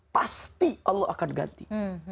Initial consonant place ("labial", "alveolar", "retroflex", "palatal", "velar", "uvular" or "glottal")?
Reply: labial